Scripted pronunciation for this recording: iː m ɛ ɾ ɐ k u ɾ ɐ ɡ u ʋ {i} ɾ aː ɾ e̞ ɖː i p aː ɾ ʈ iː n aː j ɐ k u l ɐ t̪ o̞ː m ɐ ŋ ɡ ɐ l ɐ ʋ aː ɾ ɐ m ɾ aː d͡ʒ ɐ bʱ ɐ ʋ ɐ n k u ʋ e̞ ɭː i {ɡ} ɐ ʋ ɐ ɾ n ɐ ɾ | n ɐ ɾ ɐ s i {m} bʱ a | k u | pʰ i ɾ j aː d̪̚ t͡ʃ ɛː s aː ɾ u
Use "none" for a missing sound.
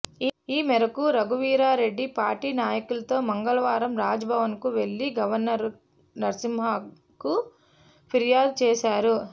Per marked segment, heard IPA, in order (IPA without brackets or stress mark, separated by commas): iː, ɡ, m